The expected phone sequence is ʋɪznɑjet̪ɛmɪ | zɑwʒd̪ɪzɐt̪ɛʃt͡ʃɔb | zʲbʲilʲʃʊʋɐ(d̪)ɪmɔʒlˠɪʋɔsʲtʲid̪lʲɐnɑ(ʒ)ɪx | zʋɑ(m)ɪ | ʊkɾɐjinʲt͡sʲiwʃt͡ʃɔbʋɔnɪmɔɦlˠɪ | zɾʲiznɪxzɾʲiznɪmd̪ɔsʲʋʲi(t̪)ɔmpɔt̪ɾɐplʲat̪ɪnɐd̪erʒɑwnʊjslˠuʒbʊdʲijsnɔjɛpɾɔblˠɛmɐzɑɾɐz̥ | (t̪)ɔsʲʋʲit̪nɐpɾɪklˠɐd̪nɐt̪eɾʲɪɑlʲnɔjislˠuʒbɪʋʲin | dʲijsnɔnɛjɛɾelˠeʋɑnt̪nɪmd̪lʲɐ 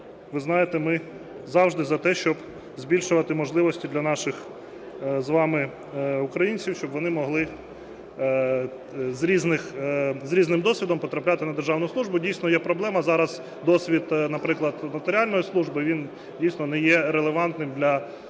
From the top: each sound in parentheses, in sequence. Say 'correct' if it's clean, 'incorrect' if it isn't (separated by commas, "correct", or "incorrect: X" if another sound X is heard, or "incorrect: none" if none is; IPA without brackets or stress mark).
incorrect: t̪, incorrect: ʃ, correct, incorrect: d̪, incorrect: d̪